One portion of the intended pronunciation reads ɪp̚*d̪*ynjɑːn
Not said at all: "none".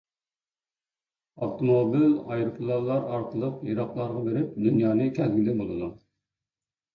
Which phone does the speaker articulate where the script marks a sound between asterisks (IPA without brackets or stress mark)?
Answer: d̪